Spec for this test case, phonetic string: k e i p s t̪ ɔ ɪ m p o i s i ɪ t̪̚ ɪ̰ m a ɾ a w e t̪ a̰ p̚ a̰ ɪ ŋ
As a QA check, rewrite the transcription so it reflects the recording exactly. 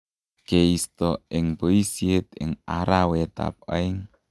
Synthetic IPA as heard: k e i s t̪ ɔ ɪ ŋ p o i s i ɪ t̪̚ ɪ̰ ŋ a ɾ a w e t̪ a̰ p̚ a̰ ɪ ŋ